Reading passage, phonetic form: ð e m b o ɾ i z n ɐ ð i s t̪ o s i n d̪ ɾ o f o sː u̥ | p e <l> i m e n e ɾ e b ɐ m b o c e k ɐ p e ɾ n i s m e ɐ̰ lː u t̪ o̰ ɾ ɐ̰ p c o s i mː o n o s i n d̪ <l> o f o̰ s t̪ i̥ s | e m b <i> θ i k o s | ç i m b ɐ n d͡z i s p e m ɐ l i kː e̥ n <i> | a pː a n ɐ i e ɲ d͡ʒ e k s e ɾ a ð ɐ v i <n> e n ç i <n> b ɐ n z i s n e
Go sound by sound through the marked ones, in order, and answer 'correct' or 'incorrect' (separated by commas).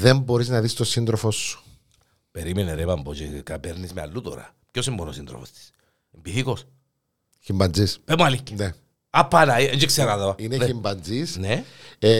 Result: incorrect, incorrect, correct, incorrect, correct, incorrect